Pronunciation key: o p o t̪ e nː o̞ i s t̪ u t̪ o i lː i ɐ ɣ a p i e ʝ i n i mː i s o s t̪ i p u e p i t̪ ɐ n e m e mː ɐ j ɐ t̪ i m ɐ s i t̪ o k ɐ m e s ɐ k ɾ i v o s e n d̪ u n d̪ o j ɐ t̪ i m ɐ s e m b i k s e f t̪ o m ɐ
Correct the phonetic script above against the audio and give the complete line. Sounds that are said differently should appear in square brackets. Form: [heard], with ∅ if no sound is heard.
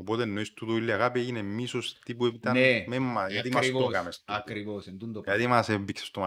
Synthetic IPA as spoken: o p o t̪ e nː o̞ i s t̪ u t̪ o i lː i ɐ ɣ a p i e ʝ i n [e] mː i s o s t̪ i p u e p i t̪ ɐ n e m e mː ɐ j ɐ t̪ i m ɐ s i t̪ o k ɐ m e s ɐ k ɾ i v o s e n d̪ u n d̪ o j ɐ t̪ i m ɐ s e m b i k s e [s] t̪ o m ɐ